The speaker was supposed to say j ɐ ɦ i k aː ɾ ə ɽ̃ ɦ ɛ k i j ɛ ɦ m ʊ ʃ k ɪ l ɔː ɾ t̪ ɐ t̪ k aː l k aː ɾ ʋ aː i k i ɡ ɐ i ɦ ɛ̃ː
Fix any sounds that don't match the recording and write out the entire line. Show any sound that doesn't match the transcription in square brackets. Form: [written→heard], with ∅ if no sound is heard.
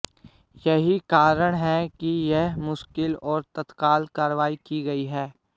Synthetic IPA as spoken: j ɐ ɦ i k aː ɾ ə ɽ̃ ɦ ɛ k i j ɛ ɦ m ʊ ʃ k ɪ l ɔː ɾ t̪ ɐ t̪ k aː l k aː ɾ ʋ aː i k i ɡ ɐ i ɦ [ɛ̃ː→ɛː]

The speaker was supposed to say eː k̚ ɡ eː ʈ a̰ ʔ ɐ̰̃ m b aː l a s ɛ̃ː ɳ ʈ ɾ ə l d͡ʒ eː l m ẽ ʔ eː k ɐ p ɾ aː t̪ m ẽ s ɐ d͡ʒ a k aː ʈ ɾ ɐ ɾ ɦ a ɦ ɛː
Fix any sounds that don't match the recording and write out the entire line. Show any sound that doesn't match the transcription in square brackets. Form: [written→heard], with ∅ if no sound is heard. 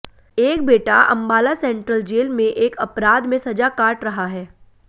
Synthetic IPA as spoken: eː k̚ [ɡ→b] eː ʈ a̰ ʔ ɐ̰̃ m b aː l a s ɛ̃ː ɳ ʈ ɾ ə l d͡ʒ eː l m ẽ ʔ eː k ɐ p ɾ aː [t̪→d̪] m ẽ s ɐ d͡ʒ a k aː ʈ ɾ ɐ [ɾ→∅] ɦ a ɦ ɛː

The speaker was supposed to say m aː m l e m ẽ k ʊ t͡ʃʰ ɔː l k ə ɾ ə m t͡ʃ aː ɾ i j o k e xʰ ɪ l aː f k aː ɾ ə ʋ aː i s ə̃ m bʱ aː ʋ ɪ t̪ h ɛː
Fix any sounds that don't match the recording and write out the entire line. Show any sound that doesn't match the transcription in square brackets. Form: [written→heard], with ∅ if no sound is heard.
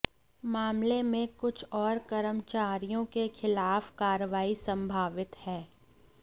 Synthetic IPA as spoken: m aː m l e m ẽ k ʊ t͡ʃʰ ɔː [l→ɾ] k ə ɾ ə m t͡ʃ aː ɾ i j [o→õ] k e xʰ ɪ l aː f k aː ɾ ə ʋ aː i s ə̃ m bʱ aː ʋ ɪ t̪ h ɛː

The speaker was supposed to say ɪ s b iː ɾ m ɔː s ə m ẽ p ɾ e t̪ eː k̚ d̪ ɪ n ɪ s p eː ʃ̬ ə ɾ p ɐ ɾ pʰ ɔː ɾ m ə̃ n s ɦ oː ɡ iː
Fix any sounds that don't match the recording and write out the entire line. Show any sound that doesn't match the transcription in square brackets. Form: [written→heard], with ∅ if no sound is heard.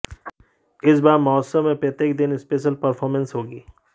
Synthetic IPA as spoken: ɪ s b [iː→aː] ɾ m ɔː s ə m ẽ p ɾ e t̪ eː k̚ d̪ ɪ n ɪ s p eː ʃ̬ ə [ɾ→l] p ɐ ɾ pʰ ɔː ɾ m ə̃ n s ɦ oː ɡ iː

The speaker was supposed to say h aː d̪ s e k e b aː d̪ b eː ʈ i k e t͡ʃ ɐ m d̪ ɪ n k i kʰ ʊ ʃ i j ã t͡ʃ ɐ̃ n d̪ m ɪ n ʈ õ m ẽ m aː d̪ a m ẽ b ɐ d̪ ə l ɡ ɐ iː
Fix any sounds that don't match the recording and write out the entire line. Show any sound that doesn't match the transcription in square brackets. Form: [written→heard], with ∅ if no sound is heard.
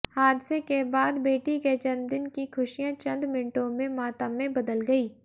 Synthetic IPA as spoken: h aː d̪ s e k e b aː d̪ b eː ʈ i k e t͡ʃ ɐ [m→n] d̪ ɪ n k i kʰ ʊ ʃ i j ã t͡ʃ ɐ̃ n d̪ m ɪ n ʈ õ m ẽ m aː [d̪→t̪] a m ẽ b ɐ d̪ ə l ɡ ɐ iː

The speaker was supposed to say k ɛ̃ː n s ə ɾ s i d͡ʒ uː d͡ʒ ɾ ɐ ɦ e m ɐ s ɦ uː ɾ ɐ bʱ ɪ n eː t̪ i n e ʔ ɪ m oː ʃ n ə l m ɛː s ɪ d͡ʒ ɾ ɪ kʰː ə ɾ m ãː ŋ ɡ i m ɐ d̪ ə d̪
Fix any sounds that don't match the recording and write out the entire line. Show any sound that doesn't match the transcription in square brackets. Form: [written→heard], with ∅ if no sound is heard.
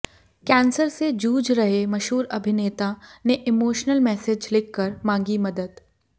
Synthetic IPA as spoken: k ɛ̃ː n s ə ɾ s [i→e] d͡ʒ uː d͡ʒ ɾ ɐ ɦ e m ɐ [s→ʃ] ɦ uː ɾ ɐ bʱ ɪ n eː t̪ [i→a] n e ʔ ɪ m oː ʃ n ə l m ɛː s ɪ d͡ʒ [ɾ→l] ɪ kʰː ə ɾ m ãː ŋ ɡ i m ɐ d̪ ə d̪

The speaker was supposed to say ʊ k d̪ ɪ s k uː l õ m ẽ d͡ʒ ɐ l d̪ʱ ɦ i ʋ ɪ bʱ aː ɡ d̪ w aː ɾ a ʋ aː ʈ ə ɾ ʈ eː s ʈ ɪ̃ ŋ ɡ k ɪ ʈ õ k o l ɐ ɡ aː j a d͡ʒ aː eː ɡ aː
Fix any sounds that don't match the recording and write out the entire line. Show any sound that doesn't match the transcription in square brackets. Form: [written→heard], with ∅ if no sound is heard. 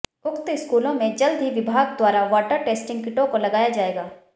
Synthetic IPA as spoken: ʊ k [d̪→t̪] ɪ s k uː l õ m ẽ d͡ʒ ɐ l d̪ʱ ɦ i ʋ ɪ bʱ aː ɡ d̪ w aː ɾ a ʋ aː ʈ ə ɾ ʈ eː s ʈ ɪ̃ ŋ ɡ k ɪ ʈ õ k o l ɐ ɡ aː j a d͡ʒ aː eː ɡ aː

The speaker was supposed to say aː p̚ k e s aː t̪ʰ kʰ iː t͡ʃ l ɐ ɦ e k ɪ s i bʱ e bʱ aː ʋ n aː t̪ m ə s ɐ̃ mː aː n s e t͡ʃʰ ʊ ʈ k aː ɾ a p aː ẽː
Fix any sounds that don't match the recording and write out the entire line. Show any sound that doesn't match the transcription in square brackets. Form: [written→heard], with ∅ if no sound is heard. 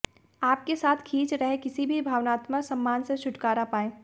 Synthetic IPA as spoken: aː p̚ k e s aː t̪ʰ kʰ iː t͡ʃ [l→ɾ] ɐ ɦ e k ɪ s i bʱ [e→i] bʱ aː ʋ n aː t̪ m ə s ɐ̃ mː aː n s e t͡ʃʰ ʊ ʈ k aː ɾ a p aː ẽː

